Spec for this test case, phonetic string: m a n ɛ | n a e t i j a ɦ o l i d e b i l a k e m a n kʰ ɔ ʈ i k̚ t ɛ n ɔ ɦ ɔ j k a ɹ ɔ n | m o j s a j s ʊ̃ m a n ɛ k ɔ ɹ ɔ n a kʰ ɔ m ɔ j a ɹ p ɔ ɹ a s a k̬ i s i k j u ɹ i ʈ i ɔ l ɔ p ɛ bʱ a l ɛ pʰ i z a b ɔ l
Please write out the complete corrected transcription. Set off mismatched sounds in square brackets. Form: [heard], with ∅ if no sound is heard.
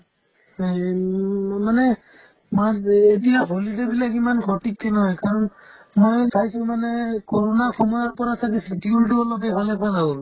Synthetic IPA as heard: m a n ɛ | [m] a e t i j a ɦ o l i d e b i l a k [i] m a n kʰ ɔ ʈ i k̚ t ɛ n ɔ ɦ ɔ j k a ɹ ɔ n | m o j s a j s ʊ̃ m a n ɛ k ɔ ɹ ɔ n a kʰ ɔ m ɔ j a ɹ p ɔ ɹ a s a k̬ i s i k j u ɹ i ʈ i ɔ l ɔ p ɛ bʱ a l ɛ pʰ [a] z a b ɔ l